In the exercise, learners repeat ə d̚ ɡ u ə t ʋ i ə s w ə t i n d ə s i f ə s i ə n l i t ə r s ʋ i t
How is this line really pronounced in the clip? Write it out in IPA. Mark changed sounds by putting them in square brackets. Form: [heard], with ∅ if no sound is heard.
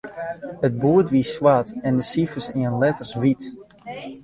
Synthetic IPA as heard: ə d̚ [b] u ə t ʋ i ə s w [a] t [ɛ] n d ə s i f ə s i ə n l [ɛ] t ə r s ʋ i t